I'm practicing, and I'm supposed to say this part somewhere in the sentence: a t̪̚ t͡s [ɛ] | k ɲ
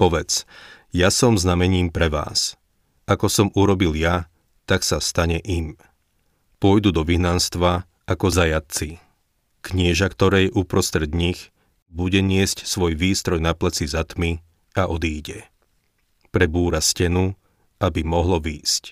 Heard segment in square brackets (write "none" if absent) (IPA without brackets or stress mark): i